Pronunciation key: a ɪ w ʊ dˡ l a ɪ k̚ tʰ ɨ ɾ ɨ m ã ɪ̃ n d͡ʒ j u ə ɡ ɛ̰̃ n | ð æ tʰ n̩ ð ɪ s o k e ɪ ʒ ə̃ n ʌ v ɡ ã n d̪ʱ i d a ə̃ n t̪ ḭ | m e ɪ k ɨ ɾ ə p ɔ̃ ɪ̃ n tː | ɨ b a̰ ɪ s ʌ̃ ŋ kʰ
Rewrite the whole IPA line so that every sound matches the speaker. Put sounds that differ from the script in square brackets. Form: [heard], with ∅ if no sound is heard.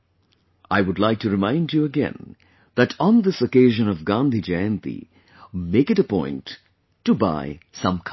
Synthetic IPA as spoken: a ɪ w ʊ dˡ l a ɪ k̚ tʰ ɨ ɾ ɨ m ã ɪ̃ n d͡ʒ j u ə ɡ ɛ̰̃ n | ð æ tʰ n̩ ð ɪ s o k e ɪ ʒ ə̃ n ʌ v ɡ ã n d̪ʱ i [d͡ʒ] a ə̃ n t̪ ḭ | m e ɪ k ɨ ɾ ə p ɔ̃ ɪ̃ n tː | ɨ b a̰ ɪ s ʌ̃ [m] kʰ